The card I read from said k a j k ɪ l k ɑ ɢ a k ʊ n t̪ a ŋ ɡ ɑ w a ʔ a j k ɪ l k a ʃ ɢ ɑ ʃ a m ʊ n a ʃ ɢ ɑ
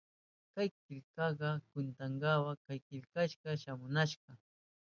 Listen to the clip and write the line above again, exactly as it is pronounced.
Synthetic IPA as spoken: k a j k ɪ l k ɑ ɢ ɑ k ʊ n t̪ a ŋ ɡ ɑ w a k a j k ɪ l k a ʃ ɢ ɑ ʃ a m ʊ n a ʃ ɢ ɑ